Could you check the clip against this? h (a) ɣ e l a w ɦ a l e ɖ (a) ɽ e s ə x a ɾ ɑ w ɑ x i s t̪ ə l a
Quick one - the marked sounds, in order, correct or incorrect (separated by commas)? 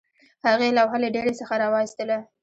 correct, incorrect